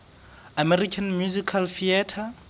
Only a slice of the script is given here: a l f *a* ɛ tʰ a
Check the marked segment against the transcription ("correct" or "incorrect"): incorrect